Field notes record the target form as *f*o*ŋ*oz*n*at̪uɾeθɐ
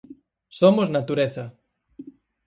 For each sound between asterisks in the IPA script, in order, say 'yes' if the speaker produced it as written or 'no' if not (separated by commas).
no, no, yes